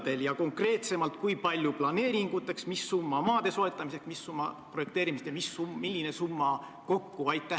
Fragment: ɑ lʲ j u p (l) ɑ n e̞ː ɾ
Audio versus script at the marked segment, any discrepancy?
no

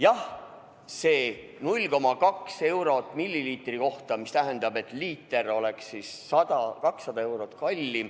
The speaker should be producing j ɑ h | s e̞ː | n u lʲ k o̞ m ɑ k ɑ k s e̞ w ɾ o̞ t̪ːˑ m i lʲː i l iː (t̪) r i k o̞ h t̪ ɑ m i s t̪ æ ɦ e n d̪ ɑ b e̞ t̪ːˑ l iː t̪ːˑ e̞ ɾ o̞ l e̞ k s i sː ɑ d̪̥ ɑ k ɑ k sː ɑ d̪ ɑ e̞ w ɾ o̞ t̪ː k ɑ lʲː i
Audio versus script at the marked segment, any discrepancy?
no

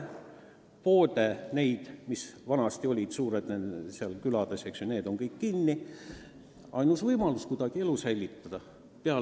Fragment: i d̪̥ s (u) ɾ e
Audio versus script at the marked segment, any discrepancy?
yes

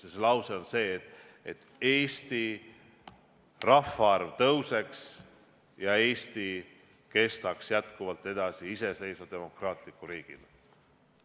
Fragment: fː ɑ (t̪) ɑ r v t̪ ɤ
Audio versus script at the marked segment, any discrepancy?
yes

